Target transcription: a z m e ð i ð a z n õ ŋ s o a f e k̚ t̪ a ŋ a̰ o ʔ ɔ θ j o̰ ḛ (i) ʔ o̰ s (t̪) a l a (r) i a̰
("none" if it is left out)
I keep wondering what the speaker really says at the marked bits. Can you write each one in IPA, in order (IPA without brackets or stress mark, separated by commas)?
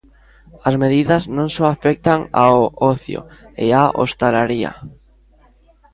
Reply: a, t̪, ɾ